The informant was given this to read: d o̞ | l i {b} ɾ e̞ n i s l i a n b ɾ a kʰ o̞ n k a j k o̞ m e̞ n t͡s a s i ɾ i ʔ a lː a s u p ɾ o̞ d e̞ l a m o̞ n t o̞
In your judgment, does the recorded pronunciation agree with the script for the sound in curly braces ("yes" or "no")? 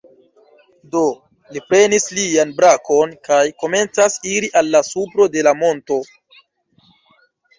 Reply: no